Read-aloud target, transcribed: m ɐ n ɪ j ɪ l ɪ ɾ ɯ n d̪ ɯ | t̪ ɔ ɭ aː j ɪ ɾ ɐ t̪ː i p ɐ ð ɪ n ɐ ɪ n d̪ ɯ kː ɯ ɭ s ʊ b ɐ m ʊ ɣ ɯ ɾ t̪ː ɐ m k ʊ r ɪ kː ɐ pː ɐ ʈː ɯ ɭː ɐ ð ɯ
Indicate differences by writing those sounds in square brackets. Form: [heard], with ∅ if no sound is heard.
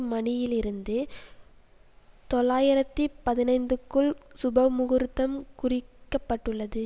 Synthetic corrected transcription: m ɐ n ɪ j ɪ l ɪ ɾ ɯ n d̪ ɯ | t̪ ɔ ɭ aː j ɪ ɾ ɐ t̪ː i p ɐ ð ɪ n ɐ ɪ n d̪ ɯ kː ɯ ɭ s ʊ b ɐ m ʊ ɣ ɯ ɾ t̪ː ɐ m k ʊ r ɪ kː ɐ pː ɐ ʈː ɯ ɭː ɐ ð ɯ

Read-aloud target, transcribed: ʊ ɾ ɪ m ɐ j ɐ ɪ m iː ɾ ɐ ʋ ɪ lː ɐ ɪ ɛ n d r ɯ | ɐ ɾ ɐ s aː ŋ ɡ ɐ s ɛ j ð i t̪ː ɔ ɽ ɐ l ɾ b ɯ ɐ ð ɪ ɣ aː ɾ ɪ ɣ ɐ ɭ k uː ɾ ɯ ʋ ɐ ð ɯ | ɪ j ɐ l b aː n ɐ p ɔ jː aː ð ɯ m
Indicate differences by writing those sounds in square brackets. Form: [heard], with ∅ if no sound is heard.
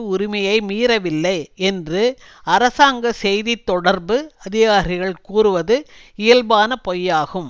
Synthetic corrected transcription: ʊ ɾ ɪ m ɐ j ɐ ɪ m iː ɾ ɐ ʋ ɪ lː ɐ ɪ ɛ n d r ɯ | ɐ ɾ ɐ s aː ŋ ɡ ɐ s ɛ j ð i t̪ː ɔ ɽ ɐ [∅] ɾ b ɯ ɐ ð ɪ ɣ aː ɾ ɪ ɣ ɐ ɭ k uː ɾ ɯ ʋ ɐ ð ɯ | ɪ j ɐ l b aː n ɐ p ɔ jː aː [ɣ] ɯ m

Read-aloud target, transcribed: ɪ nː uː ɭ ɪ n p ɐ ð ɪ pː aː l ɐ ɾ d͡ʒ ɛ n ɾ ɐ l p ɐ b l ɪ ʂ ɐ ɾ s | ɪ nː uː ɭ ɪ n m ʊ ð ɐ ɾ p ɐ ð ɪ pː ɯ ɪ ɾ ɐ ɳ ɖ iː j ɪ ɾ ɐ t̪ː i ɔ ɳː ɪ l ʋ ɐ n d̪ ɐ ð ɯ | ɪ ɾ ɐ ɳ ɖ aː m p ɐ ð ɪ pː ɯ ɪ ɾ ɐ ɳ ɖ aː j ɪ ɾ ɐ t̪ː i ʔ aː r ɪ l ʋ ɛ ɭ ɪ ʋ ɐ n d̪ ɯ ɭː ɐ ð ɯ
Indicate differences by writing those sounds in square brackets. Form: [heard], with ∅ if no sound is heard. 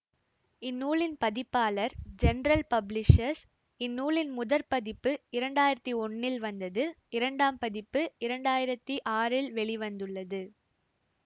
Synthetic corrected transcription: ɪ nː uː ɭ ɪ n p ɐ ð ɪ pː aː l ɐ ɾ d͡ʒ ɛ n ɾ ɐ l p ɐ b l ɪ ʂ ɐ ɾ s | ɪ nː uː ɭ ɪ n m ʊ ð ɐ ɾ p ɐ ð ɪ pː ɯ ɪ ɾ ɐ ɳ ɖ [aː] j ɪ ɾ ɐ t̪ː i ɔ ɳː ɪ l ʋ ɐ n d̪ ɐ ð ɯ | ɪ ɾ ɐ ɳ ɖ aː m p ɐ ð ɪ pː ɯ ɪ ɾ ɐ ɳ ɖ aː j ɪ ɾ ɐ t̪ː i ʔ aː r ɪ l ʋ ɛ ɭ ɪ ʋ ɐ n d̪ ɯ ɭː ɐ ð ɯ

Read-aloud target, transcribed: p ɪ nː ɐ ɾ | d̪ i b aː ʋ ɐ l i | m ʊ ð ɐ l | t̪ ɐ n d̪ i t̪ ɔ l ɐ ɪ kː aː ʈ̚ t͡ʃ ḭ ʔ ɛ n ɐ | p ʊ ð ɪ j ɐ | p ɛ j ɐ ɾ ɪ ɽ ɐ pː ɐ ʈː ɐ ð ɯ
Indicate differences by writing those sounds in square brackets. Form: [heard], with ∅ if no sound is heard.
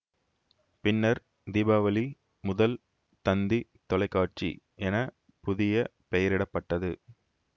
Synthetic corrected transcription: p ɪ nː ɐ ɾ | d̪ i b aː ʋ ɐ l i | m ʊ ð ɐ l | t̪ ɐ n d̪ i t̪ ɔ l ɐ ɪ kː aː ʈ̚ t͡ʃ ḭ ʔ ɛ n ɐ | p ʊ ð ɪ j ɐ | p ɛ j ɐ ɾ ɪ ɽ ɐ pː ɐ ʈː ɐ ð ɯ

